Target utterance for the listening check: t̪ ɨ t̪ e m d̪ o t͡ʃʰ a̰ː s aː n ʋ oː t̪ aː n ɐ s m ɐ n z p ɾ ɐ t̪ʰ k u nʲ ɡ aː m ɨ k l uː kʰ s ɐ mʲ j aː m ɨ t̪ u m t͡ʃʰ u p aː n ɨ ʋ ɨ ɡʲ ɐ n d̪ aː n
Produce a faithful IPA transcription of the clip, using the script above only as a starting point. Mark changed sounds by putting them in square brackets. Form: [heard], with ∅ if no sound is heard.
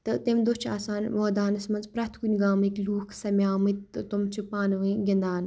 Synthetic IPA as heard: t̪ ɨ t̪ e m d̪ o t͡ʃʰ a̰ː s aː n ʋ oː [d̪] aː n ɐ s m ɐ n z p ɾ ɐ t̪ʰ k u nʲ ɡ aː m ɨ k l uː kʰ s ɐ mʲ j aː m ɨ t̪ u m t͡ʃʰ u p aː n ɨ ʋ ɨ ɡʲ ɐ n d̪ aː n